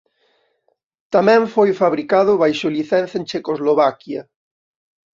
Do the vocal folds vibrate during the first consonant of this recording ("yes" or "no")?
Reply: no